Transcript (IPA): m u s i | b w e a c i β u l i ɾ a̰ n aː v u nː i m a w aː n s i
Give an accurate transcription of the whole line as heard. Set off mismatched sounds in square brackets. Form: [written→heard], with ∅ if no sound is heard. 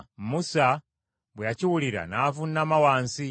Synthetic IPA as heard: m u s [i→a] | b w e a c i [β→w] u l i ɾ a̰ n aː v u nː [i→a] m a w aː n s i